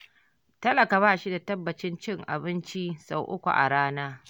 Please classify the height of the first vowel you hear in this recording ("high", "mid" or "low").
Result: low